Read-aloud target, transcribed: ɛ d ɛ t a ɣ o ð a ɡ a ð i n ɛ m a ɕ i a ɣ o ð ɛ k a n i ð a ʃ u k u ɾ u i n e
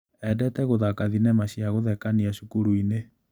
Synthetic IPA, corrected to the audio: ɛ d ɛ t ɛ ɣ o ð a k a ð i n ɛ m a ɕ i a ɣ o ð ɛ k a n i a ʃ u k u ɾ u i n e